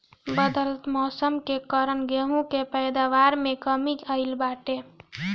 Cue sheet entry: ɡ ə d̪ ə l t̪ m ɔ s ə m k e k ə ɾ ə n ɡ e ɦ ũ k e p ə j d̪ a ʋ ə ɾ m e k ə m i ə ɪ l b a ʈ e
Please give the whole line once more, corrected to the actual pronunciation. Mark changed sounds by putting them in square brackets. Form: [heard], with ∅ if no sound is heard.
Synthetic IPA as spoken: [b] ə d̪ ə l t̪ m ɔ s ə m k e k ə ɾ ə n ɡ e ɦ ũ k e p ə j d̪ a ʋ [a] ɾ m e k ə m i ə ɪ l b a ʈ e